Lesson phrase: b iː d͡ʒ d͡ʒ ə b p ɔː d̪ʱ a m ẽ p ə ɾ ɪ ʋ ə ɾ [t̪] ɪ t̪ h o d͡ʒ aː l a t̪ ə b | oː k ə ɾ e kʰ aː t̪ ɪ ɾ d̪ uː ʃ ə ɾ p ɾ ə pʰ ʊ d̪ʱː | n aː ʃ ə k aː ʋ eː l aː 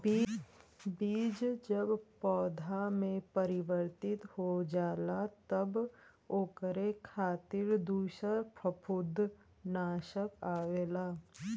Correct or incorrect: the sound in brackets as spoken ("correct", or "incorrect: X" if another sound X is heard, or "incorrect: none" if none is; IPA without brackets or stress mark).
correct